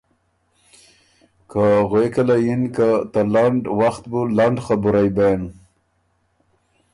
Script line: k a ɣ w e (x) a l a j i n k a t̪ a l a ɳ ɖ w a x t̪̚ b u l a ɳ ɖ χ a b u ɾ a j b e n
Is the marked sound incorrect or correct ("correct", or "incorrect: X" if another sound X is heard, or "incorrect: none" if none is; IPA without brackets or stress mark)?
incorrect: k